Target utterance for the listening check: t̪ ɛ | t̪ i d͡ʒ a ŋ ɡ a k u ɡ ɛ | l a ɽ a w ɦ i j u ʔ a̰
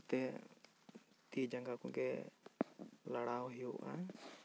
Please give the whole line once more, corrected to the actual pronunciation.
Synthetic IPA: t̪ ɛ | t̪ i d͡ʒ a ŋ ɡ a k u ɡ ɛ | l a ɽ a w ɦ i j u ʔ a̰